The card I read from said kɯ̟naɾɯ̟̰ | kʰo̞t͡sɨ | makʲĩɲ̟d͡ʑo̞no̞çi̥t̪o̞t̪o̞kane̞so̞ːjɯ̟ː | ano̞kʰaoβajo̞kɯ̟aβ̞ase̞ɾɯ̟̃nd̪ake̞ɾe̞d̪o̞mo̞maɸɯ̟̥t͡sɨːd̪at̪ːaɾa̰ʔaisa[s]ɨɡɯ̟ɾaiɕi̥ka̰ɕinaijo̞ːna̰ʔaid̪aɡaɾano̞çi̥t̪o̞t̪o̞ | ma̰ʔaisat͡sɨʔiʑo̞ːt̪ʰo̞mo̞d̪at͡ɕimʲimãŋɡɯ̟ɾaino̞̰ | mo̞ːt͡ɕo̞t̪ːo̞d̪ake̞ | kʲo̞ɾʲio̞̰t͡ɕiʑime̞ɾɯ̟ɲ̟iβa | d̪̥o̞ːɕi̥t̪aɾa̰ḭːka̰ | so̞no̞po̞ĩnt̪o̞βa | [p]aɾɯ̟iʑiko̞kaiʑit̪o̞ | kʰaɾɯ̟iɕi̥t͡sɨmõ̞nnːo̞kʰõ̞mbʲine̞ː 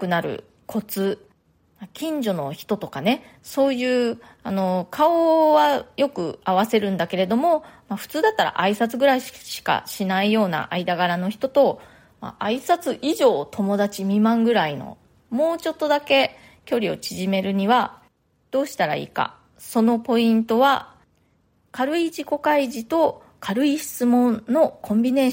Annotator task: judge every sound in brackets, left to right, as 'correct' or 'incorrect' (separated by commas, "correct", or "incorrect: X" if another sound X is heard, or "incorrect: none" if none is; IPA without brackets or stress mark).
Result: incorrect: t͡s, incorrect: k